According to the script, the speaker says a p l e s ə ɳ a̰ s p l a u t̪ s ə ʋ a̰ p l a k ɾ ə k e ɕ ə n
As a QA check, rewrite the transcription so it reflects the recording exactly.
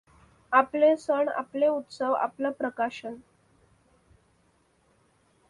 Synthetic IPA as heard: a p l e s ə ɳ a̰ p l e u t̪ s ə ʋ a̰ p l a p ɾ ə k a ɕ ə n